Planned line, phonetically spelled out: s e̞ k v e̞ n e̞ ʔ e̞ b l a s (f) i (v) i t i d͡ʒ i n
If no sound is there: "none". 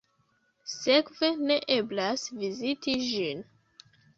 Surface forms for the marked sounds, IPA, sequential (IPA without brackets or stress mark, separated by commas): v, z